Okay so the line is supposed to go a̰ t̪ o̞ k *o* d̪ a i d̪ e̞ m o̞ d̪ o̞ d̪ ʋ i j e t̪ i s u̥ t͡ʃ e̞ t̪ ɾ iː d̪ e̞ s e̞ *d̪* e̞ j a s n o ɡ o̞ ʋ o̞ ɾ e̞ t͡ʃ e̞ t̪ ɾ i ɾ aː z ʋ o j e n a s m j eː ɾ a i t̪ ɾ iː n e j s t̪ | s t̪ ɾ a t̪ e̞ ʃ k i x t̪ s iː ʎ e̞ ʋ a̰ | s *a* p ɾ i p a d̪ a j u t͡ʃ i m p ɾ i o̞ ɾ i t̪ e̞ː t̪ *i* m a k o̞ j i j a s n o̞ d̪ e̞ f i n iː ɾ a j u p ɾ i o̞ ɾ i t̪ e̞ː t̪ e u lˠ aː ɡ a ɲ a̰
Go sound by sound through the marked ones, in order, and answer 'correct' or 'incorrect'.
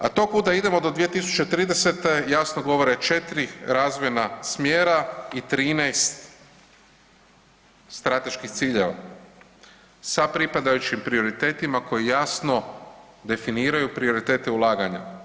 incorrect: u, incorrect: t̪, correct, correct

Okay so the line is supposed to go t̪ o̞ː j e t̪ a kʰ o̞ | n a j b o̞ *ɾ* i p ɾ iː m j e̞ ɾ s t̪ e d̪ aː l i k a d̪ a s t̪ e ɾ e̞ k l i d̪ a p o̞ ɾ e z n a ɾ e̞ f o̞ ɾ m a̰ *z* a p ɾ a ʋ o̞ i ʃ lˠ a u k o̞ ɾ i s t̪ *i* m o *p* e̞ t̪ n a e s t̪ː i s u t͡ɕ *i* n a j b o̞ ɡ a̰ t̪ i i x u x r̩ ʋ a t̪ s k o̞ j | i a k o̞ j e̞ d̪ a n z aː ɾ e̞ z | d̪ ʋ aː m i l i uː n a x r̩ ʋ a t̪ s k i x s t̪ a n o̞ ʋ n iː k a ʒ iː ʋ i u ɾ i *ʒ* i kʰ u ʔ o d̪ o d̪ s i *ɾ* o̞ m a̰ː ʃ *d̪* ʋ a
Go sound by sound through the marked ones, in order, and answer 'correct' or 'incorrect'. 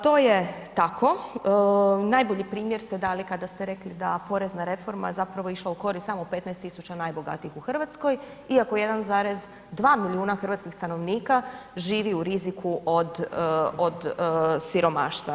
incorrect: ʎ, correct, incorrect: a, correct, incorrect: a, incorrect: z, correct, incorrect: t̪

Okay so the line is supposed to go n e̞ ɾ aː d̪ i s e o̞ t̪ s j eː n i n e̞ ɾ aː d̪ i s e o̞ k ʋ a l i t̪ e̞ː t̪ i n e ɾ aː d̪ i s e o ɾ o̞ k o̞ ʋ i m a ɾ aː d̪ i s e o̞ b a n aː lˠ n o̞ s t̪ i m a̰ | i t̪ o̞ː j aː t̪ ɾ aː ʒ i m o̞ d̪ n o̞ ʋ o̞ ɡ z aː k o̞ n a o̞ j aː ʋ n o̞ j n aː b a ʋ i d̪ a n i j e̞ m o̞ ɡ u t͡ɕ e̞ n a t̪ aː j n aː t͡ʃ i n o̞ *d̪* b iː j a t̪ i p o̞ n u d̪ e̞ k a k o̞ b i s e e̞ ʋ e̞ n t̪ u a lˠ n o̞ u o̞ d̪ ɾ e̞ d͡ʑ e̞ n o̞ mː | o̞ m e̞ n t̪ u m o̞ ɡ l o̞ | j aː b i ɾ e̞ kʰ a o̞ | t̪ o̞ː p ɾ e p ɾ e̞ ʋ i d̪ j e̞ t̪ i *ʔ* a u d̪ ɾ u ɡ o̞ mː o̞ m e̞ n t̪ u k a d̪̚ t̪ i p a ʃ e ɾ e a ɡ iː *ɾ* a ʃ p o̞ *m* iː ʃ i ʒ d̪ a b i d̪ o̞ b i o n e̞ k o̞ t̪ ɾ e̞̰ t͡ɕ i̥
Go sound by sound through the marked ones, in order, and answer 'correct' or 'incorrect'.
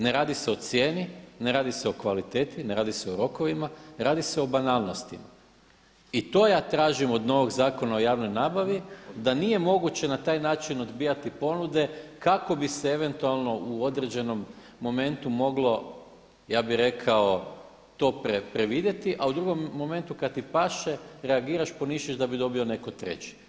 correct, correct, correct, incorrect: n

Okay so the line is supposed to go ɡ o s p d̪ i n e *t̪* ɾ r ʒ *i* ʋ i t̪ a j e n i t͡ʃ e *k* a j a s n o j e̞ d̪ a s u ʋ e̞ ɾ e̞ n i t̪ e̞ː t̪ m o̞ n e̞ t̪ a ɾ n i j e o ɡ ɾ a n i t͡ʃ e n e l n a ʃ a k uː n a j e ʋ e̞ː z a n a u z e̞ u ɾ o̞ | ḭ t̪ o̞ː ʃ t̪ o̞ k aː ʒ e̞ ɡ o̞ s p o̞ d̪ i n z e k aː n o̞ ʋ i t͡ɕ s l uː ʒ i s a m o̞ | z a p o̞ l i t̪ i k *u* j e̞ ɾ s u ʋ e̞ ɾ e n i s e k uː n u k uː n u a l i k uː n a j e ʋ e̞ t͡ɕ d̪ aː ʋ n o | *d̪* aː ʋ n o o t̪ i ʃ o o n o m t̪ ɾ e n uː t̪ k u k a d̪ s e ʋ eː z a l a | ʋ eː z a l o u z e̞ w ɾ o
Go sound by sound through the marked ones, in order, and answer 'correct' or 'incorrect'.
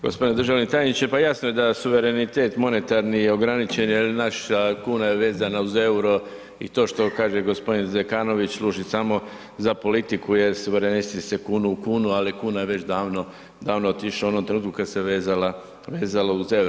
incorrect: d̪, incorrect: a, incorrect: p, correct, correct

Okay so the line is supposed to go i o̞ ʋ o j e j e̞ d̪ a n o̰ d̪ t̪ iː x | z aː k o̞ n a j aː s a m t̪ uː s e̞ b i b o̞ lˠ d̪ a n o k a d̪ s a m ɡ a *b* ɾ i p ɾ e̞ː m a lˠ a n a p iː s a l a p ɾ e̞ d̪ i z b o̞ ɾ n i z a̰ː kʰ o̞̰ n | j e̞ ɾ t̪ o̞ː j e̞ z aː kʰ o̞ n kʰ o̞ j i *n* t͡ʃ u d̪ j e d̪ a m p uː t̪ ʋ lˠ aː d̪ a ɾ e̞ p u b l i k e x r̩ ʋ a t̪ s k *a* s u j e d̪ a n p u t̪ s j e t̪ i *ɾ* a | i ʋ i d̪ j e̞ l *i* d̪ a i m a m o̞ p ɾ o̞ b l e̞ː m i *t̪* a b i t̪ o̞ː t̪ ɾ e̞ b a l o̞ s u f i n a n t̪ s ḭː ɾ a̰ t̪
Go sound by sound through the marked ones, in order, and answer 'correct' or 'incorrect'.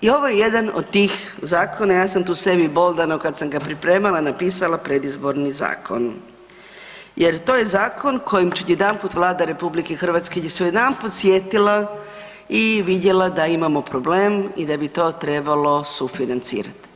incorrect: p, incorrect: m, incorrect: e, incorrect: l, incorrect: a, incorrect: d̪

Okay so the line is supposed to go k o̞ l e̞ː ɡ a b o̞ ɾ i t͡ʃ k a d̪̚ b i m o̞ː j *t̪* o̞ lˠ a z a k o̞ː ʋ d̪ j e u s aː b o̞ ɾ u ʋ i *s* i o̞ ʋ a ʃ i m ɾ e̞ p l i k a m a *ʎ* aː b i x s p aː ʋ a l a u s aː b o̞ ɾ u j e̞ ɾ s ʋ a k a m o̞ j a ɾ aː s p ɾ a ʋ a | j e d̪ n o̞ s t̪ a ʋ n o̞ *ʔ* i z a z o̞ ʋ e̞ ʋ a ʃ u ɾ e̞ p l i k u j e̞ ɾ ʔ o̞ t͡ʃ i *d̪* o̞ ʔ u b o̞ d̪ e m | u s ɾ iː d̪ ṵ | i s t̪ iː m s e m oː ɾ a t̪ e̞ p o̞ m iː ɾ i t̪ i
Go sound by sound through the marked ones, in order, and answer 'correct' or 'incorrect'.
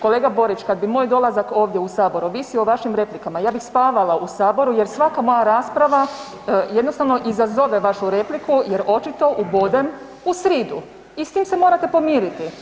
incorrect: d̪, correct, incorrect: j, correct, incorrect: t̪

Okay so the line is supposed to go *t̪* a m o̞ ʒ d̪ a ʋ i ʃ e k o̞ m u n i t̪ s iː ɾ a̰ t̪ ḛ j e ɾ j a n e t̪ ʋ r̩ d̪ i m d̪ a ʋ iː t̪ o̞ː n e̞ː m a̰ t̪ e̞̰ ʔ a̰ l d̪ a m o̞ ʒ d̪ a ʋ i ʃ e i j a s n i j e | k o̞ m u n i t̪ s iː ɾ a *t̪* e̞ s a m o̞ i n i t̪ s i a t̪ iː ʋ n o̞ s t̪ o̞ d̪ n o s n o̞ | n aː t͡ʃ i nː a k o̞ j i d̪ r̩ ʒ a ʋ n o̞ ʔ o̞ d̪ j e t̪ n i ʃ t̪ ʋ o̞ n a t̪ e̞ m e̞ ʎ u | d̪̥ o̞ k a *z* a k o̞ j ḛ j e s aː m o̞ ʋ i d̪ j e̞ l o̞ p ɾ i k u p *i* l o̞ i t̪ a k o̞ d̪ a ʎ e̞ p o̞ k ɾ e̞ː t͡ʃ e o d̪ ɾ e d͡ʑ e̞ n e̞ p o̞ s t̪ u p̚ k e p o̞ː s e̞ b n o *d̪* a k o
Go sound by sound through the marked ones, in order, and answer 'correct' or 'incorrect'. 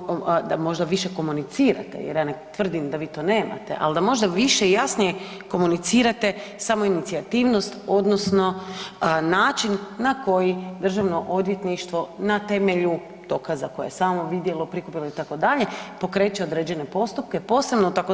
incorrect: d̪, correct, correct, correct, incorrect: t̪

